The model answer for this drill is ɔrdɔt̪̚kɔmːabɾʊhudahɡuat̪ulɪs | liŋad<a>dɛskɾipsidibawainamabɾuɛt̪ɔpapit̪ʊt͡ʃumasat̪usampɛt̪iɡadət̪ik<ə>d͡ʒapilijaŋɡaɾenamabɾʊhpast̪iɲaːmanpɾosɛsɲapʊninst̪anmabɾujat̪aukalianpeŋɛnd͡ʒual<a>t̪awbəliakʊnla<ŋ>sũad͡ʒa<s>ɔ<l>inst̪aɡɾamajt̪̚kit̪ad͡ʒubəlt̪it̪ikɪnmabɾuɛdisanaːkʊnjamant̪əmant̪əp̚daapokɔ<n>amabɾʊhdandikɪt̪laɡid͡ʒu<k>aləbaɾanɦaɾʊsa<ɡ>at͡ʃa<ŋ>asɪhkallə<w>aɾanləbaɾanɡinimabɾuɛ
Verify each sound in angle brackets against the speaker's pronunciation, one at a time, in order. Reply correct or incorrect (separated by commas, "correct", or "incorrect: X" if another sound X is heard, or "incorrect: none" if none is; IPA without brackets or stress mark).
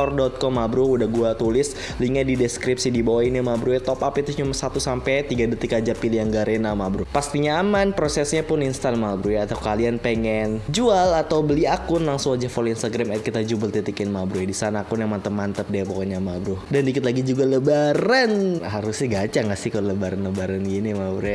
incorrect: i, incorrect: a, correct, correct, incorrect: f, correct, incorrect: ɲ, incorrect: ɡ, correct, correct, incorrect: b